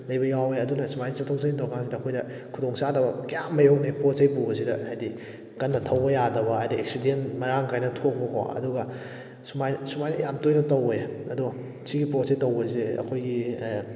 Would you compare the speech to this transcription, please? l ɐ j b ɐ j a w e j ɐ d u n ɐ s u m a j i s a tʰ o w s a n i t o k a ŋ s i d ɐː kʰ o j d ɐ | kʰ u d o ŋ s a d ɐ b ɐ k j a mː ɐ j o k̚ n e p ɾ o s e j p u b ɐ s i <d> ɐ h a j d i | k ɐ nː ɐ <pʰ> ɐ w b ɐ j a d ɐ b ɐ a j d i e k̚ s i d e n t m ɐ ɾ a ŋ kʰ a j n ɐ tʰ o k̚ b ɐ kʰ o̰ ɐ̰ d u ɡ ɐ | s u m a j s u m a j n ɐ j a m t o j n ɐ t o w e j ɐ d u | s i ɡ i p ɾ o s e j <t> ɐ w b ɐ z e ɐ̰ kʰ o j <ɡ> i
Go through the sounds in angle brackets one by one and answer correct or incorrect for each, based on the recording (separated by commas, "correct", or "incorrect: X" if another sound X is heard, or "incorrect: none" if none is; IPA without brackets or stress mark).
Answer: correct, incorrect: tʰ, correct, correct